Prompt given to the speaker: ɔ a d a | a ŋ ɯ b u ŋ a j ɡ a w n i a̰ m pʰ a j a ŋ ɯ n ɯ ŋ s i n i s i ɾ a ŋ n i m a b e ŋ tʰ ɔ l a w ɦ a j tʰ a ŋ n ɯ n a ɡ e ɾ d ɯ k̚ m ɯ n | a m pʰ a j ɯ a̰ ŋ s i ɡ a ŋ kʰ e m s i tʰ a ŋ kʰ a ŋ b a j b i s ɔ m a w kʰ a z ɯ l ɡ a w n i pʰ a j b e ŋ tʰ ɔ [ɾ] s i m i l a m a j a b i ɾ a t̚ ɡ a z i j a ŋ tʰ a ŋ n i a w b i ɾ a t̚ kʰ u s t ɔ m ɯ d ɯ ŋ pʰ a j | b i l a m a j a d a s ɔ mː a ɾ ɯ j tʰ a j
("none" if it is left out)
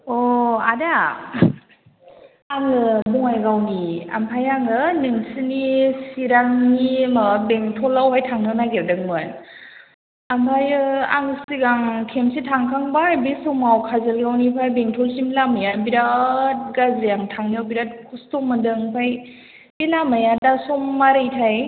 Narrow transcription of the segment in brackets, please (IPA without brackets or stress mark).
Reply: l